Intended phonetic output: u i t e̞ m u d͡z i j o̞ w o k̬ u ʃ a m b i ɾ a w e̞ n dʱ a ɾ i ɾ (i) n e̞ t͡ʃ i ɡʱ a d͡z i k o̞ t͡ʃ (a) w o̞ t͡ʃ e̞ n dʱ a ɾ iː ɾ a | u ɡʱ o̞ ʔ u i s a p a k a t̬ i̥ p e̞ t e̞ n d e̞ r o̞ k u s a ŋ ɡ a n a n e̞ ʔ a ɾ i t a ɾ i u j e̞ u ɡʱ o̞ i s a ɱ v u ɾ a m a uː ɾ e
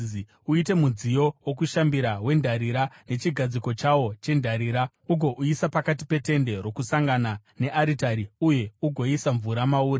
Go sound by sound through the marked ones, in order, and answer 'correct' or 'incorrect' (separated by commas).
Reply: incorrect, correct